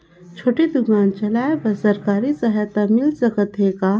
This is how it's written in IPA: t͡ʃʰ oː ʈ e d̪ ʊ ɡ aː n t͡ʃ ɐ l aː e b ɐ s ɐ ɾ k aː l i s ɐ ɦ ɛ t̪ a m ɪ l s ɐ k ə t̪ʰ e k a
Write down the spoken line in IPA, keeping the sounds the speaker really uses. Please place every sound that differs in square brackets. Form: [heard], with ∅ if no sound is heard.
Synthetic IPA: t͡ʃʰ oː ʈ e d̪ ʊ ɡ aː n t͡ʃ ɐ l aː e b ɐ s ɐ ɾ k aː [ɾ] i s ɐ ɦ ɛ t̪ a m ɪ l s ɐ k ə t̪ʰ e k a